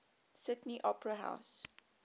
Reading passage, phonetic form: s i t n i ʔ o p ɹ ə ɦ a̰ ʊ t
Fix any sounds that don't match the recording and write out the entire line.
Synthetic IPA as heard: s ɪ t n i ʔ ɔ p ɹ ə ɦ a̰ ʊ s

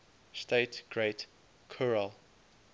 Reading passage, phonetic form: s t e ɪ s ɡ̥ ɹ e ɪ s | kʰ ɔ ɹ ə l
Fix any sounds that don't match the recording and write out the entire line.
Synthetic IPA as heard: s t e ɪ t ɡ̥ ɹ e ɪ t | kʰ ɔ ɹ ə l

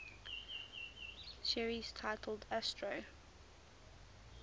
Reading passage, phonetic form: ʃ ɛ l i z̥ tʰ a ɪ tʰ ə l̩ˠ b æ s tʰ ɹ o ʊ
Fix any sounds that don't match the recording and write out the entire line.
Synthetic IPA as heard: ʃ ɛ ɹ i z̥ tʰ a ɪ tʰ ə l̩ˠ d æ s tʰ ɹ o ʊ

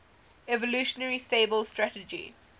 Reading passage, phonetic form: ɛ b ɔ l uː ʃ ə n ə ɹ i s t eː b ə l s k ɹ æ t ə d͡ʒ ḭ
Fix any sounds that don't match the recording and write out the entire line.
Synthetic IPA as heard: ɛ v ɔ l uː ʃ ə n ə ɹ i s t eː b ə l s t ɹ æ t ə d͡ʒ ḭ

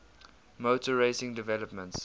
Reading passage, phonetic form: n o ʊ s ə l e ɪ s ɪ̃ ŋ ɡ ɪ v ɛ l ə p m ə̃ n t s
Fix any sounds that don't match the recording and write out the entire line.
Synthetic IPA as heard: m o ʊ t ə ɹ e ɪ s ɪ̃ ŋ d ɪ v ɛ l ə p m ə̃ n t s

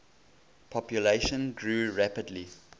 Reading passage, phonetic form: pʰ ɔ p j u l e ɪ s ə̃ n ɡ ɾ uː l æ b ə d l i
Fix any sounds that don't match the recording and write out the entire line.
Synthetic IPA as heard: pʰ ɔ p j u l e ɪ ʃ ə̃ n ɡ ɹ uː ɹ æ p ə d l i

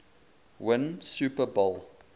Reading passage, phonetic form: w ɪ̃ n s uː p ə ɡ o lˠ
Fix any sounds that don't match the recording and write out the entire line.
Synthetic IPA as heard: w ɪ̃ n s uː p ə b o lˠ

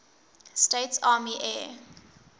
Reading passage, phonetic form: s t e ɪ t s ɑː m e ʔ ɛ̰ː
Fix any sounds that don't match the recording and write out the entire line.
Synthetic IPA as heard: s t e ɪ t s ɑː m i ʔ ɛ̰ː

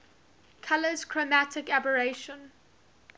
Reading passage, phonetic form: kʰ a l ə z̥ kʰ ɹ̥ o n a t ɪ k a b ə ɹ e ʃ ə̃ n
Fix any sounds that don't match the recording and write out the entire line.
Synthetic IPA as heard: kʰ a l ə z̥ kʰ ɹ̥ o m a t ɪ k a b ə ɹ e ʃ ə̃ n

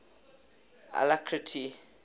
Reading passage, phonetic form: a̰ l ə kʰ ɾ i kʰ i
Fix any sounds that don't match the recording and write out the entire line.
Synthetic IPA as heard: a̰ l a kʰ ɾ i tʰ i

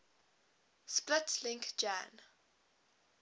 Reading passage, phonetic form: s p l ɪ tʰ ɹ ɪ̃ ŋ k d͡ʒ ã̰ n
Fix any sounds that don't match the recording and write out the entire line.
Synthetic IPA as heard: s p l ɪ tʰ l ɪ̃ ŋ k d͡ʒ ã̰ n

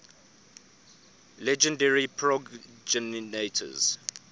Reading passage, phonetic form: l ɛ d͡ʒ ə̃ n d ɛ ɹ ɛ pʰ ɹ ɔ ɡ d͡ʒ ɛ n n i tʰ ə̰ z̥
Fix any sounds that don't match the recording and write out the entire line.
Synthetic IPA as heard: l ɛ d͡ʒ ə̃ n d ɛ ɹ i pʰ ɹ ɔ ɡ d͡ʒ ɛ n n e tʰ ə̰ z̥

